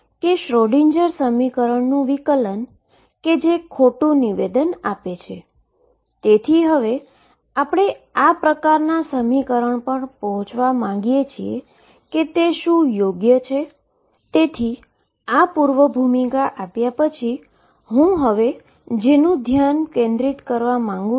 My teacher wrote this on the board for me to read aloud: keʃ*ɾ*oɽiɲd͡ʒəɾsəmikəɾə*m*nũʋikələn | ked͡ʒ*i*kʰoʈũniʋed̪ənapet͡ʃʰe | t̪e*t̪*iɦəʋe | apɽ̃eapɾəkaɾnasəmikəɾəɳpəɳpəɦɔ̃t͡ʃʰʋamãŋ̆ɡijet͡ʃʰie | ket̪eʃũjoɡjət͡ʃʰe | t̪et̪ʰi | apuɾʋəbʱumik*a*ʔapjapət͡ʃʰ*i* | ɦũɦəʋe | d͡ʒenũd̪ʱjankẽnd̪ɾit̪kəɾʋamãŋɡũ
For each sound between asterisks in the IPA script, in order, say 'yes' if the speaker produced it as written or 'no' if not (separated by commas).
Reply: yes, no, no, no, yes, yes